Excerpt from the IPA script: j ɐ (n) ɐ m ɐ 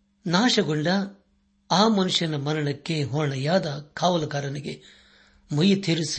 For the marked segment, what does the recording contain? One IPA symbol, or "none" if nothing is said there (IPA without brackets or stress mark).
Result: n